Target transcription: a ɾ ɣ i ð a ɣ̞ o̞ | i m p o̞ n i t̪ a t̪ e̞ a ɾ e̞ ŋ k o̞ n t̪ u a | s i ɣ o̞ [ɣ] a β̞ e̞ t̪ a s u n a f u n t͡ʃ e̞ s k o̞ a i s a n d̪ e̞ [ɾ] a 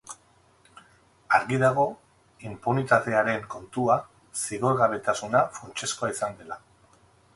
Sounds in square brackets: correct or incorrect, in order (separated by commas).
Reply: correct, incorrect